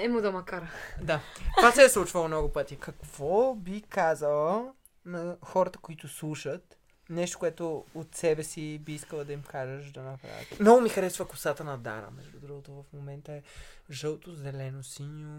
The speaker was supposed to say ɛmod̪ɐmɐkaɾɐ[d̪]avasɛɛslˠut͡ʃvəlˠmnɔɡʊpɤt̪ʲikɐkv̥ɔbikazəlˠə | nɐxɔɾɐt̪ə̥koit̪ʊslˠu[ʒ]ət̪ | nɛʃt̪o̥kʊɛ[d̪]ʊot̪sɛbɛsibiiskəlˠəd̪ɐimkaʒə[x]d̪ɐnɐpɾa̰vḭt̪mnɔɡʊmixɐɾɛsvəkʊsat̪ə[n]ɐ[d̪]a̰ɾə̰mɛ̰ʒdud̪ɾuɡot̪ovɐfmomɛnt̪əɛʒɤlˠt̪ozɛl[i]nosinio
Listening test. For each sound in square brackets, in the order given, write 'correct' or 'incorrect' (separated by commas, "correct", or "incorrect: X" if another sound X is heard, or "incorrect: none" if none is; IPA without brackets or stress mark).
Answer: correct, incorrect: ʃ, incorrect: t̪, incorrect: ʃ, correct, correct, incorrect: ɛ